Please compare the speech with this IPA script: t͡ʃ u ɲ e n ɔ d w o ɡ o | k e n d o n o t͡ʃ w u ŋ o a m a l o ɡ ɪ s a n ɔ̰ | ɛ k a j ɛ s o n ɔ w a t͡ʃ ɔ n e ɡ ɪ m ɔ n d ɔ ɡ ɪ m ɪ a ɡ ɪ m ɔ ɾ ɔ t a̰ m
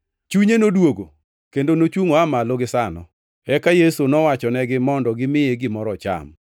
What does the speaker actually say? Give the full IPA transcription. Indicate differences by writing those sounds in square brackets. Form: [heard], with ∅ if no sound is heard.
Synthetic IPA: t͡ʃ u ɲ e n [o] d w o ɡ o | k e n d o n o t͡ʃ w u ŋ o a m a l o ɡ ɪ s a n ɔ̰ | ɛ k a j [e] s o n ɔ w a t͡ʃ ɔ n [ɛ] ɡ ɪ m ɔ n d ɔ ɡ ɪ m ɪ [e] ɡ ɪ m ɔ ɾ ɔ [t͡ʃ] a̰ m